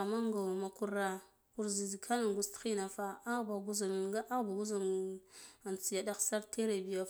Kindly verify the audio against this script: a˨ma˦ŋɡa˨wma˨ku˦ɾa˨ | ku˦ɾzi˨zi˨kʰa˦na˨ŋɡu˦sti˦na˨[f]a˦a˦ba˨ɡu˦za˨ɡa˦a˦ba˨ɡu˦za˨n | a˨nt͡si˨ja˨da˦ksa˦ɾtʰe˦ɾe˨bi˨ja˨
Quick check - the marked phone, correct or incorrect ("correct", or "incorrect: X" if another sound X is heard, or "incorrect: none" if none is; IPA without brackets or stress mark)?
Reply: correct